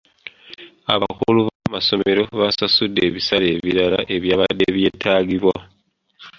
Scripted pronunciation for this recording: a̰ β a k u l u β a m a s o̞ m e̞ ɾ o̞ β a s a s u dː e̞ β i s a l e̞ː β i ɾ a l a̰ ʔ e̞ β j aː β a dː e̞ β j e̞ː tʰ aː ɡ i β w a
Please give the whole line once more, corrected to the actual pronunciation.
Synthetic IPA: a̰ β a k u l u β a m a s o̞ m e̞ ɾ o̞ β a s a s u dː e̞ β i s a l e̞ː β i ɾ a l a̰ ʔ e̞ β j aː β a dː e̞ β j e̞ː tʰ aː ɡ i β w a